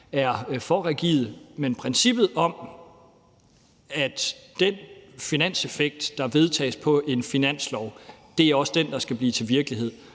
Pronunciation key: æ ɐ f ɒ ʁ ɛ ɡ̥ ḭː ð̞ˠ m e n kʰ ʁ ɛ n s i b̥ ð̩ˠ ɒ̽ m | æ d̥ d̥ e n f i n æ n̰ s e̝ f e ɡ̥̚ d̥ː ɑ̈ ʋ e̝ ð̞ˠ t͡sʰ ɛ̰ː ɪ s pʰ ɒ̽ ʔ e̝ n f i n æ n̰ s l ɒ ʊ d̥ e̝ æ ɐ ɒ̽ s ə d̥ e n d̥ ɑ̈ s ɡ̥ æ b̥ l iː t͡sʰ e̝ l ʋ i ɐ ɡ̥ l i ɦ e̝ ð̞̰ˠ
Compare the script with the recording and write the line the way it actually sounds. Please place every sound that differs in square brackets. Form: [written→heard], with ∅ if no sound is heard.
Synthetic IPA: æ ɐ f ɒ ʁ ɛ ɡ̥ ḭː ð̞ˠ m e n [kʰ→pʰ] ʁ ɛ n s i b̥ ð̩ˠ ɒ̽ m | æ d̥ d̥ e n f i n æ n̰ s e̝ f e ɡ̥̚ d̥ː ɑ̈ ʋ e̝ ð̞ˠ t͡sʰ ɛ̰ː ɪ s pʰ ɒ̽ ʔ e̝ n f i n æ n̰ s l ɒ ʊ d̥ e̝ æ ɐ ɒ̽ s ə d̥ e n d̥ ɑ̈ s ɡ̥ æ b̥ l iː t͡sʰ e̝ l ʋ i ɐ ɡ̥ l i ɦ e̝ ð̞̰ˠ

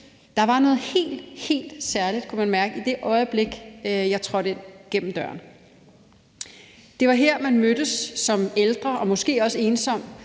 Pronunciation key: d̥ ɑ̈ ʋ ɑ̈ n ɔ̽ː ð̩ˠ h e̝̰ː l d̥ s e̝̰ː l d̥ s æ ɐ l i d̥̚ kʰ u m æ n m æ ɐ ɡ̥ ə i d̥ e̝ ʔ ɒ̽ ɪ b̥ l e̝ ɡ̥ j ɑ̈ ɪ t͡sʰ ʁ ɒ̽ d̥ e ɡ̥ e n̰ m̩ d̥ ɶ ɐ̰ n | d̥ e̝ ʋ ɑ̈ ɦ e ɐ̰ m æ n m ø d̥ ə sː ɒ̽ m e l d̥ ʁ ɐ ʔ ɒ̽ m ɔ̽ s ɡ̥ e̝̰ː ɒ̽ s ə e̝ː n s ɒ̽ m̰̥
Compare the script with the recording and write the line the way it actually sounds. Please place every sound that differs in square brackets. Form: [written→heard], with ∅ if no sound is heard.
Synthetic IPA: d̥ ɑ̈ ʋ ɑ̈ n ɔ̽ː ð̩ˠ h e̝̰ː l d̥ [s→h] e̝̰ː l d̥ s æ ɐ l i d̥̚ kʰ u m æ n m æ ɐ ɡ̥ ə i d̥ e̝ ʔ ɒ̽ ɪ b̥ l e̝ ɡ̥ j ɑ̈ ɪ t͡sʰ ʁ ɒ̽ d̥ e ɡ̥ e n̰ m̩ d̥ ɶ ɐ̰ n | d̥ e̝ ʋ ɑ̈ ɦ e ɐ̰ m æ n m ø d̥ ə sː ɒ̽ m e l d̥ ʁ ɐ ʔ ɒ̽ m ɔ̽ s ɡ̥ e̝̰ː ɒ̽ s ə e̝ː n s ɒ̽ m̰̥

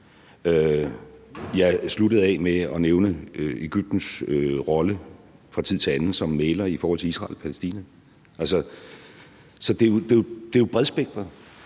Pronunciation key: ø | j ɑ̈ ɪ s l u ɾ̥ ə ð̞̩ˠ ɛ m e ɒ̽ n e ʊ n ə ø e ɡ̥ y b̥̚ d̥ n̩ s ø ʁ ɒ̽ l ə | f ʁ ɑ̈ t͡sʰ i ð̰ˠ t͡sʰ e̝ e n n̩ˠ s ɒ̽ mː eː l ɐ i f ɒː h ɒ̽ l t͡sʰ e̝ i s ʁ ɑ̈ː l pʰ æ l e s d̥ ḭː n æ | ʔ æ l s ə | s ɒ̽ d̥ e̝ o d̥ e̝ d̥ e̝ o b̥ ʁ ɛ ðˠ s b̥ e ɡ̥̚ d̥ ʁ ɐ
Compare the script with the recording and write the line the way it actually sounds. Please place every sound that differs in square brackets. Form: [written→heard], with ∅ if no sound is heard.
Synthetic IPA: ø | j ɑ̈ ɪ s l u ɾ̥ ə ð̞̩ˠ ɛ m e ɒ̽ n e ʊ n ə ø e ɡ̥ y b̥̚ d̥ n̩ s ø ʁ ɒ̽ l ə | f ʁ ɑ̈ t͡sʰ i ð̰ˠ t͡sʰ e̝ [e→æ] n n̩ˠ s ɒ̽ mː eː l ɐ i f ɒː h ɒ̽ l t͡sʰ e̝ i s ʁ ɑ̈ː l pʰ æ l e s d̥ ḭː n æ | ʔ æ l s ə | s ɒ̽ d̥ e̝ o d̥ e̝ d̥ e̝ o b̥ ʁ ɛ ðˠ s b̥ e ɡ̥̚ d̥ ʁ ɐ

